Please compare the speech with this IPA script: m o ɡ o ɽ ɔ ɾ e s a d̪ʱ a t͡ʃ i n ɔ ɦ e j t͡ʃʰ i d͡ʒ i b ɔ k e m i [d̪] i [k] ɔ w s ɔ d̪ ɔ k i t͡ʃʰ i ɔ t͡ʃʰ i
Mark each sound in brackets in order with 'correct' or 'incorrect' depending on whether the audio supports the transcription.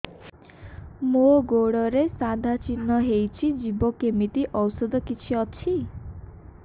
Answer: incorrect: t̪, incorrect: ʔ

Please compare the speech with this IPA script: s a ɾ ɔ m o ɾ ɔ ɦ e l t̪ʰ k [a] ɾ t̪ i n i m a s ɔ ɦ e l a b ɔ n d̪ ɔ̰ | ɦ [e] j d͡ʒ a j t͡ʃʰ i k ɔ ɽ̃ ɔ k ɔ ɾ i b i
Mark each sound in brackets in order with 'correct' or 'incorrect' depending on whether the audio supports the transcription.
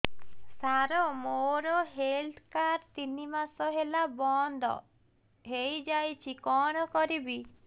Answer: correct, correct

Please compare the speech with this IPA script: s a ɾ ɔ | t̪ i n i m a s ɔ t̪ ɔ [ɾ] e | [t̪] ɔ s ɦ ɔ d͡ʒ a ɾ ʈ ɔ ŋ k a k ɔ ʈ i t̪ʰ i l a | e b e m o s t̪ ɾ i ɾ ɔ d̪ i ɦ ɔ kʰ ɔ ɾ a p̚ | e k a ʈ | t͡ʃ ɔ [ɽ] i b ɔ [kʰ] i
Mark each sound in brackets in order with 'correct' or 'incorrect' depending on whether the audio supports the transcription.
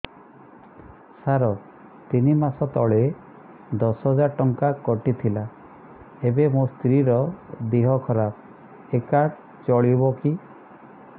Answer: incorrect: ɭ, incorrect: d̪, incorrect: ɭ, incorrect: k

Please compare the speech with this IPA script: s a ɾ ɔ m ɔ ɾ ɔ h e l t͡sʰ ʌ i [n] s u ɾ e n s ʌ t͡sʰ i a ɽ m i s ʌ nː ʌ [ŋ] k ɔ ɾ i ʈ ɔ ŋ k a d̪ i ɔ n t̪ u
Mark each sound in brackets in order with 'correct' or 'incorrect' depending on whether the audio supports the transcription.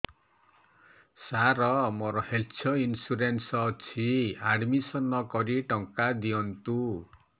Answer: correct, incorrect: none

